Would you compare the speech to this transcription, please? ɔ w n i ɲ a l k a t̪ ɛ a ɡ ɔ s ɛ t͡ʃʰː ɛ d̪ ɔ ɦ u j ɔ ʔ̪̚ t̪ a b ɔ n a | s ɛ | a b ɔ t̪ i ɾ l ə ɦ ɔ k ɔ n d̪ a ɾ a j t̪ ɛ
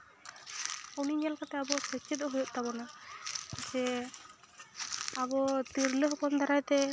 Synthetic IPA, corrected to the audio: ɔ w n i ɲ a l k a t̪ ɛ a b ɔ s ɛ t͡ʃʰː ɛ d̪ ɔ ɦ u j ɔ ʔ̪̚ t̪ a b ɔ n a | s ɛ | a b ɔ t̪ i ɾ l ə ɦ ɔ k ɔ n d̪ a ɾ a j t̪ ɛ